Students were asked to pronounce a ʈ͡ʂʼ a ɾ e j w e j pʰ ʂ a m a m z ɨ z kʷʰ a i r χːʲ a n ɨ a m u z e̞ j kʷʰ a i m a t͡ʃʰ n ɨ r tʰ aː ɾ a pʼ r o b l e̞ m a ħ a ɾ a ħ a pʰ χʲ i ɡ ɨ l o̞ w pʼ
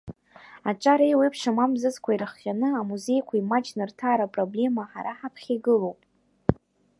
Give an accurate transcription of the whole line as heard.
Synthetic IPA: a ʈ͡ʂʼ a ɾ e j w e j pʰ ʂ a m a m z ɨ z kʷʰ a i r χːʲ a n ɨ a m u z e̞ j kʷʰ a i m a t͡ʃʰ n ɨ r tʰ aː ɾ a pʼ r o b l e̞ m a ħ a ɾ a ħ a pʰ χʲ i ɡ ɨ l o̞ w pʼ